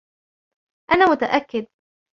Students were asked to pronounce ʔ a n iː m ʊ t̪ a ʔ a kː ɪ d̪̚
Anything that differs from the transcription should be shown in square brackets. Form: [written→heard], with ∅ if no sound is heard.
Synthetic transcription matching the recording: ʔ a n [iː→aː] m ʊ t̪ a ʔ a kː ɪ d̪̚